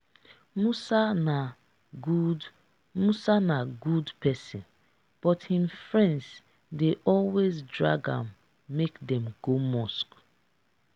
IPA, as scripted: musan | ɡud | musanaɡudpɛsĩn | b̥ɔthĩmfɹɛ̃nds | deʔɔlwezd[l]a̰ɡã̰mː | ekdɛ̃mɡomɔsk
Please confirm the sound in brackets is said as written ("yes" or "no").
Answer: no